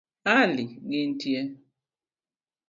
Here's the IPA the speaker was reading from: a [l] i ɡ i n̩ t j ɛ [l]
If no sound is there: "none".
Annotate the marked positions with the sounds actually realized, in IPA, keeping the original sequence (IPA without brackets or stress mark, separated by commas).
l, none